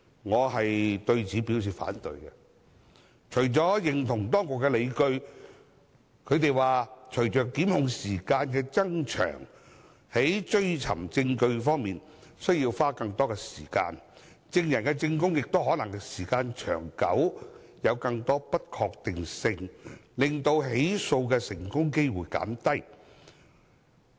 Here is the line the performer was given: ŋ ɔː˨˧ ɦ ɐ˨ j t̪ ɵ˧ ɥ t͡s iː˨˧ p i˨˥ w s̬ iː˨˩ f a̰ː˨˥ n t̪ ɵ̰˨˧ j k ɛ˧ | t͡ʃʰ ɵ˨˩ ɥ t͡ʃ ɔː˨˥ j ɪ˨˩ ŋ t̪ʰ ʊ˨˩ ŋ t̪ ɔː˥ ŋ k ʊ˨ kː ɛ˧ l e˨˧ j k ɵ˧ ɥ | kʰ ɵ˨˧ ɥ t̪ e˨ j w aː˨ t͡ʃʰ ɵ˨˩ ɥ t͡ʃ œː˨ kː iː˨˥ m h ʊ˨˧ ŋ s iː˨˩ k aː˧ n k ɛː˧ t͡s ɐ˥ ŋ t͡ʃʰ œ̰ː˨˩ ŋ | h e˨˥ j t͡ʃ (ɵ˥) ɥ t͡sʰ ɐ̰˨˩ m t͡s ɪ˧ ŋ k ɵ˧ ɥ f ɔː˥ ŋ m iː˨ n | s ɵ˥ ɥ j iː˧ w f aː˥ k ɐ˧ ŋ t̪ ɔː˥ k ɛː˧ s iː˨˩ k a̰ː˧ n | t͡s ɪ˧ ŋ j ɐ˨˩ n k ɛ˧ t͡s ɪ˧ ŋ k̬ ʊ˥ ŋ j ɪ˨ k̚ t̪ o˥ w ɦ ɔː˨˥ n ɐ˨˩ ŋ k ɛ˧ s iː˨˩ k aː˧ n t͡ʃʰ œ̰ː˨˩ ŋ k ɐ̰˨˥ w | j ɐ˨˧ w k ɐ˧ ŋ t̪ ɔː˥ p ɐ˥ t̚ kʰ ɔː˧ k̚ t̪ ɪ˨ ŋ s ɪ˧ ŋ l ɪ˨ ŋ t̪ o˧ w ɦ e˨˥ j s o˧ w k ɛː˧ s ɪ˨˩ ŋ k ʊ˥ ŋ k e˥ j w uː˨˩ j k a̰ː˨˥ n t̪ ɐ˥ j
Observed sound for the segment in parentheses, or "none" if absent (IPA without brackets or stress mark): ɵ˥